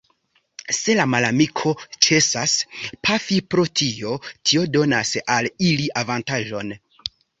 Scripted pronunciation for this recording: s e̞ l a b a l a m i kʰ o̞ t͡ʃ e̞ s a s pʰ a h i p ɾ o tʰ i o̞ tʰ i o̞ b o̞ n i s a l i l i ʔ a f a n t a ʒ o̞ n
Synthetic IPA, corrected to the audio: s e̞ l a m a l a m i kʰ o̞ t͡ʃ e̞ s a s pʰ a f i p ɾ o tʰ i o̞ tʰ i o̞ d o̞ n a s a l i l i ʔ a v a n t a ʒ o̞ n